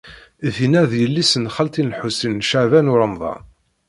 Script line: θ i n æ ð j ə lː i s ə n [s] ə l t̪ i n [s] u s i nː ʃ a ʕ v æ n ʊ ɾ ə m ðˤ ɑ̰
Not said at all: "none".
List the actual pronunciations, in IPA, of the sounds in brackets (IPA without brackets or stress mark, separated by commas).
χ, ħ